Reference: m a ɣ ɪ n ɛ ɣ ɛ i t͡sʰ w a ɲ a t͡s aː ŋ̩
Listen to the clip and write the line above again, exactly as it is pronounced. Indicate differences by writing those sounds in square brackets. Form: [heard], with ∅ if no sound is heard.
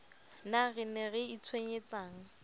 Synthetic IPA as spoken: [n] a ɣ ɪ n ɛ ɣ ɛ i t͡sʰ w [e] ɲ [e] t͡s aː ŋ̩